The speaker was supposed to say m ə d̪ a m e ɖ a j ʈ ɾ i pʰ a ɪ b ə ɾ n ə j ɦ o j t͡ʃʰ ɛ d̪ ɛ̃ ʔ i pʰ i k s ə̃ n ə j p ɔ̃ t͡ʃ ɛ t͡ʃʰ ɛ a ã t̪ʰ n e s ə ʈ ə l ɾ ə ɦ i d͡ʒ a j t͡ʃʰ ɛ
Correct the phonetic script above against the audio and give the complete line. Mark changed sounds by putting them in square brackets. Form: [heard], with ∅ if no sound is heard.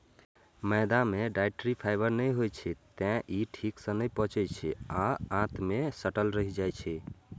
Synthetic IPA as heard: m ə d̪ a m e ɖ a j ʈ ɾ i pʰ a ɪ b ə ɾ n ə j ɦ o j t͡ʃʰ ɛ [t̪] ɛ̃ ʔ i [ʈʰ] i k s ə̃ n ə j p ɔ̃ t͡ʃ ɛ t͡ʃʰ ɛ a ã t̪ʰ [m] e s ə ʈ ə l ɾ ə ɦ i d͡ʒ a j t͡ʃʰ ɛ